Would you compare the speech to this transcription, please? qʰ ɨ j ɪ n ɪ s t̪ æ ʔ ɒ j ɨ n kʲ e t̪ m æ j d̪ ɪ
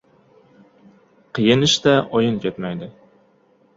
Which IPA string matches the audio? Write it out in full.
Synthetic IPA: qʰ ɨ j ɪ n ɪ ʃ t̪ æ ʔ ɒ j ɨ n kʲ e t̪ m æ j d̪ ɪ